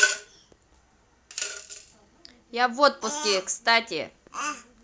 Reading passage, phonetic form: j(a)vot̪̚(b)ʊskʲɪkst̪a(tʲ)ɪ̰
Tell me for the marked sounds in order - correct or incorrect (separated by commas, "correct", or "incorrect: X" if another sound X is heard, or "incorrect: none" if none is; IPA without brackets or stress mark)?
correct, incorrect: p, correct